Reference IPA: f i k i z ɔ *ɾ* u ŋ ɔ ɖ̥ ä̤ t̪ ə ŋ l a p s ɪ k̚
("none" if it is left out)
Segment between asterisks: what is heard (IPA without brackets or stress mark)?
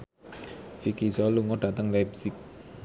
l